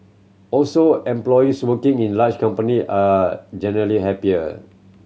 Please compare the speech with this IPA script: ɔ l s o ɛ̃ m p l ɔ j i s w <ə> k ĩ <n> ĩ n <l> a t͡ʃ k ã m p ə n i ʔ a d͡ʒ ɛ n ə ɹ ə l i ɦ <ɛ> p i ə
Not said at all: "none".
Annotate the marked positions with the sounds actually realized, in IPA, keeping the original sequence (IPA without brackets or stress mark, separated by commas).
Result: ə, ŋ, l, ɛ